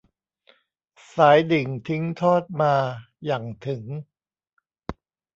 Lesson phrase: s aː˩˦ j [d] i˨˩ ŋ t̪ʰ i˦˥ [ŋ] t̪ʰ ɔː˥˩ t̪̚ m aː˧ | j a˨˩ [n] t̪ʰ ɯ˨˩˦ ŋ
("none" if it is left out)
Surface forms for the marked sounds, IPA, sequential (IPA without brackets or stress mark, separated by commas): d, ŋ, ŋ